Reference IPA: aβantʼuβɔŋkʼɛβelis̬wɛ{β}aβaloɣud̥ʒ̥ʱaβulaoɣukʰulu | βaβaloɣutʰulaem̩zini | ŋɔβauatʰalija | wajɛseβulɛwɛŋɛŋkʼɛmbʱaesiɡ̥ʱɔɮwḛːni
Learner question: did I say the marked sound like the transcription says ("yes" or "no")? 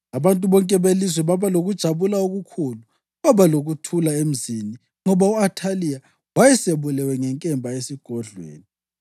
yes